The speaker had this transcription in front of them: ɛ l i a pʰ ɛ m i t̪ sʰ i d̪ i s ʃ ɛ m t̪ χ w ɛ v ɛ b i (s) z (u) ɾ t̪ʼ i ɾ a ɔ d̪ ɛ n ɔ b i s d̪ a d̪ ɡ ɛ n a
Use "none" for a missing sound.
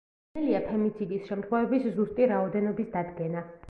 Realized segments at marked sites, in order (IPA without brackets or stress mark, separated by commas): s, u